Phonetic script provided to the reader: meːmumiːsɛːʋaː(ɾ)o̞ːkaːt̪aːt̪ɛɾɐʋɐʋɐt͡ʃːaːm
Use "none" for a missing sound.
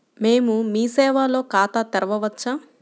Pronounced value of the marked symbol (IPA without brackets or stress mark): l